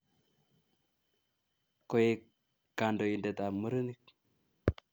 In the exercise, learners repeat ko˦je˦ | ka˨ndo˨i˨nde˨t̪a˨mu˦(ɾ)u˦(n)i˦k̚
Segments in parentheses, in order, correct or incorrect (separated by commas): correct, correct